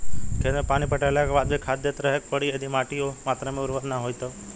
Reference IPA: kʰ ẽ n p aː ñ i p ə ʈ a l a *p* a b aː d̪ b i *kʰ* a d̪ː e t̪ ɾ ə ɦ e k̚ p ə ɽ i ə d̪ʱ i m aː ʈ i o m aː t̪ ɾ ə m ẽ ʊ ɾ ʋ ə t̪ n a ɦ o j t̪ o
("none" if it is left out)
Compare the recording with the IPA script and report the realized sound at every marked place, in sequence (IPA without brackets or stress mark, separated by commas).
k, kʰ